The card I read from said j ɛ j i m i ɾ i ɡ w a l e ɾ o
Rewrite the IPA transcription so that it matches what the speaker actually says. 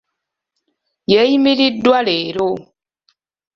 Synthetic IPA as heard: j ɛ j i m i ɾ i d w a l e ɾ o